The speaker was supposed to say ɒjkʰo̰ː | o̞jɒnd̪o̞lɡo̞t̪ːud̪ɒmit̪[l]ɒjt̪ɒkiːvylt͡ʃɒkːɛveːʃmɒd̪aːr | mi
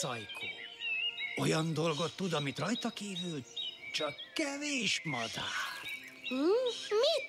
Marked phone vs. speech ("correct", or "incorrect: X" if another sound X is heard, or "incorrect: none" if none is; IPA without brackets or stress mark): incorrect: r